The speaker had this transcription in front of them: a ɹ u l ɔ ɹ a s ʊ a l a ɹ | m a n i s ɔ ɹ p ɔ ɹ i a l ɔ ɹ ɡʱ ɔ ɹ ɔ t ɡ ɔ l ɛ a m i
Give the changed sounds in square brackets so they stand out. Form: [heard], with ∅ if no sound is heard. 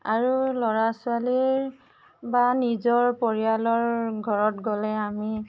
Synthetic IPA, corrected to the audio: a ɹ u l ɔ ɹ a s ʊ a l [i] ɹ | [b] a n i [z] ɔ ɹ p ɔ ɹ i a l ɔ ɹ ɡʱ ɔ ɹ ɔ t ɡ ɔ l ɛ a m i